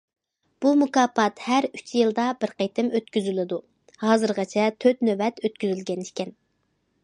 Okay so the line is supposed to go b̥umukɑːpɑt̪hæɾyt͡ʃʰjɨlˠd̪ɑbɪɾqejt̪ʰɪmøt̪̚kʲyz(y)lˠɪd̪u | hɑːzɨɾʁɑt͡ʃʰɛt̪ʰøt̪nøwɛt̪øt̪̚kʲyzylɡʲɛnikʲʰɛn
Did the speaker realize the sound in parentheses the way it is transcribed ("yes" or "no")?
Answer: yes